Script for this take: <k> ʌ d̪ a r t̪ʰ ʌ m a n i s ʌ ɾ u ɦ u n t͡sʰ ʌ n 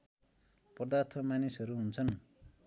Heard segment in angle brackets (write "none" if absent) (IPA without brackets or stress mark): p